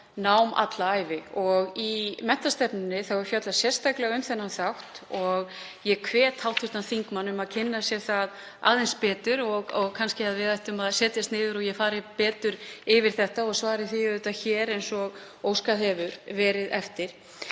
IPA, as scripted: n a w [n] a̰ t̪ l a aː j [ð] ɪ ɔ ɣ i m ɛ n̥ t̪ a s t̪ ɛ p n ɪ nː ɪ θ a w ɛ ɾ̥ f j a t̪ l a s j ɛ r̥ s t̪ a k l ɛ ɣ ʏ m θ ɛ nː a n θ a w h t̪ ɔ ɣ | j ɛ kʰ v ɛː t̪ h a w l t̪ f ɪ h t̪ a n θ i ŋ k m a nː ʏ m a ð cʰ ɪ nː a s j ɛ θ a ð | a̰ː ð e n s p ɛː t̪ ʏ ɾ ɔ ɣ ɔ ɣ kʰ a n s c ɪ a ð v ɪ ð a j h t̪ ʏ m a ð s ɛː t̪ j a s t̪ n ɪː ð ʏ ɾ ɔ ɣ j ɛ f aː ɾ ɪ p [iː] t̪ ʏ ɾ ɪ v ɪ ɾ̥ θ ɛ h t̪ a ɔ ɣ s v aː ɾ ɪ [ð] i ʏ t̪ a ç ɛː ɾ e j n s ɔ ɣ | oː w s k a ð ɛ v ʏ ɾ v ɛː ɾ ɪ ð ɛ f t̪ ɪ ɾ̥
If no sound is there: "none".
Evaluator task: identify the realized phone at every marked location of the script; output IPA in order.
m, v, ɛː, θ

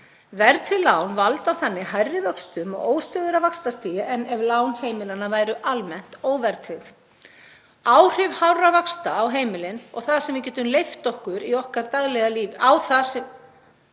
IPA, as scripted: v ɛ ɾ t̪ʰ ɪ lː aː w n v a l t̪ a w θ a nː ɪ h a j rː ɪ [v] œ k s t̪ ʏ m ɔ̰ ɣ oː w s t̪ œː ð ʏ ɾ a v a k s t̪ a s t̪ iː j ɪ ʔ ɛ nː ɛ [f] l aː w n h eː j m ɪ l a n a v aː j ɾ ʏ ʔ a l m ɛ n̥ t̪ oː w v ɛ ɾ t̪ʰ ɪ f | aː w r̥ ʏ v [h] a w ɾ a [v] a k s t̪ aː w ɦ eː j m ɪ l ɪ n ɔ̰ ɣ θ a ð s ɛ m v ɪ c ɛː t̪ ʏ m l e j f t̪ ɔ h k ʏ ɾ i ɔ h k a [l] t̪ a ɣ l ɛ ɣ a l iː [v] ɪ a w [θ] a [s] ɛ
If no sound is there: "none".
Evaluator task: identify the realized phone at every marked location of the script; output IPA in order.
v, v, h, v, ɾ, v, θ, s

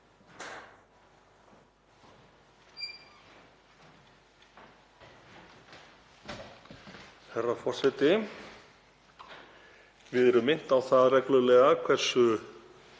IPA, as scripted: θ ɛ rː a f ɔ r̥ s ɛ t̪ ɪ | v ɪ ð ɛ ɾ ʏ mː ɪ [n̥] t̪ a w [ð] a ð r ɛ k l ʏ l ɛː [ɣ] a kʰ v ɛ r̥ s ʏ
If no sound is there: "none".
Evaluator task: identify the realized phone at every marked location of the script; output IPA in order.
n̥, θ, ɣ

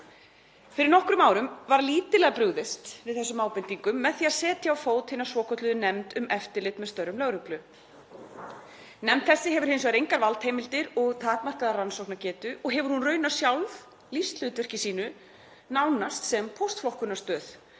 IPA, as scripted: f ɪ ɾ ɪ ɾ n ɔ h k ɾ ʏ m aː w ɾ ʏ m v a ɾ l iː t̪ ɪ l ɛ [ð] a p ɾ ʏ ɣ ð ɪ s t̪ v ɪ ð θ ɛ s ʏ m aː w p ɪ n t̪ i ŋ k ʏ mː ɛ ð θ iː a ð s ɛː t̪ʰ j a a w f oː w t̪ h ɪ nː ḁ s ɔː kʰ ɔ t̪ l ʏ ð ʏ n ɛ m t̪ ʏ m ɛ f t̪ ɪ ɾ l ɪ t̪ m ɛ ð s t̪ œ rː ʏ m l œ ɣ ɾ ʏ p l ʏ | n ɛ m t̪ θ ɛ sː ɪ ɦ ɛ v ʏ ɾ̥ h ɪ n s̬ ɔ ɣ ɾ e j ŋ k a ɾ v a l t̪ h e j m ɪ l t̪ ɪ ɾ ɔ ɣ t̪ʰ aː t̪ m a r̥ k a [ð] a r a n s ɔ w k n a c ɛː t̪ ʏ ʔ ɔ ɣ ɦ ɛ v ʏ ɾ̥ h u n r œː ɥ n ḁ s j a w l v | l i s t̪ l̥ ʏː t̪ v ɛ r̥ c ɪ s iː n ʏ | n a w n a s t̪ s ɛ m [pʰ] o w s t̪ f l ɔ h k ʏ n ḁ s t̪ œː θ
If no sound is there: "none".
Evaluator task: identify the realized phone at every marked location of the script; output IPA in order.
ɣ, ð, pʰ

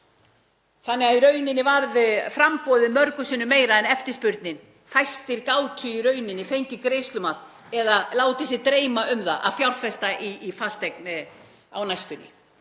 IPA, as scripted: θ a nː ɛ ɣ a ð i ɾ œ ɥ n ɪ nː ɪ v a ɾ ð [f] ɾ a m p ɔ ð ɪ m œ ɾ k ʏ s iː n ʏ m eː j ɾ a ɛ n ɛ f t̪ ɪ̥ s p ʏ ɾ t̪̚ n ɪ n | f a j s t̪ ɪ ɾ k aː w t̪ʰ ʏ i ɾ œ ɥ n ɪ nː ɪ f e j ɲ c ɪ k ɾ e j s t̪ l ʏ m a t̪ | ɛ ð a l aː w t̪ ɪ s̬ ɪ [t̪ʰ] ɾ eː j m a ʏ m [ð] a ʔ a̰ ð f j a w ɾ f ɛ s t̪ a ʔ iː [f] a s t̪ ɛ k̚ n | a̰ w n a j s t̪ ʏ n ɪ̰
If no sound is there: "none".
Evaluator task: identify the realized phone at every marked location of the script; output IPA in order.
f, t̪, ð, f

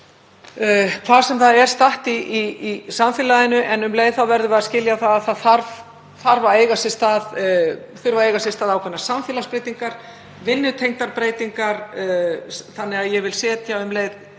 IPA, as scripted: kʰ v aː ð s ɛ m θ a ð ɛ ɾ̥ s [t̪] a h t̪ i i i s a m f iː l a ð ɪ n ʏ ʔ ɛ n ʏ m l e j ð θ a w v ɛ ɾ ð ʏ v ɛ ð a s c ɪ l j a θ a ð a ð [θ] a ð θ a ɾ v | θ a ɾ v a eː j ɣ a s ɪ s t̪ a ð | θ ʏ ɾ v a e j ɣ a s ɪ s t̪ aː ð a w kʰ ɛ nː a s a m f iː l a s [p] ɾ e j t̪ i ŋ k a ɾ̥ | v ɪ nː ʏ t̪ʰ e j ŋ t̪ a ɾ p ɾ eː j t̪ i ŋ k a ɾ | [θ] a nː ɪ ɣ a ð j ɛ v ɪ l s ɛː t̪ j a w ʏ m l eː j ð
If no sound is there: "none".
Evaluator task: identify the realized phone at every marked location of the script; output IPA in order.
t̪, θ, p, θ

